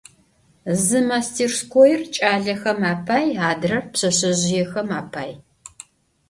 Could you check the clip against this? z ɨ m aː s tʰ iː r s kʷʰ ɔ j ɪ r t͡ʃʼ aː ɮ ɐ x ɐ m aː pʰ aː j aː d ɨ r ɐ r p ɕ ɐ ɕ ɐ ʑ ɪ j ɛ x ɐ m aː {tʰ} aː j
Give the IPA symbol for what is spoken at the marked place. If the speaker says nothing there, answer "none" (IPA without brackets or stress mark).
pʰ